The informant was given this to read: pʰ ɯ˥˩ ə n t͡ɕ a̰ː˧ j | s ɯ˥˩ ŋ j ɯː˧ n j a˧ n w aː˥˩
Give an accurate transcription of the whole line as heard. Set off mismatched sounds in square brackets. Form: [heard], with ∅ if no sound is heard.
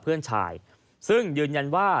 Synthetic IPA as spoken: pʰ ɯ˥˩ ə n [t͡ɕʰ] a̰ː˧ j | s ɯ˥˩ ŋ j ɯː˧ n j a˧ n w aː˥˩